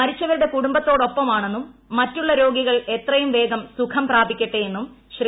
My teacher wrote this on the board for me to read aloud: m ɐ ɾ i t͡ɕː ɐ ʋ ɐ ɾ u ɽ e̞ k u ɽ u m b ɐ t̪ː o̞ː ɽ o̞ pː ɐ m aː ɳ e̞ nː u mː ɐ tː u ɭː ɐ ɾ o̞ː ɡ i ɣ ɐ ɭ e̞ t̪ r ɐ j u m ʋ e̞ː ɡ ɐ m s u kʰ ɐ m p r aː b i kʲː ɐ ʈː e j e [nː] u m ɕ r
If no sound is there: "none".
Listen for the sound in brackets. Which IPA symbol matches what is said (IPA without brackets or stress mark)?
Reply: nː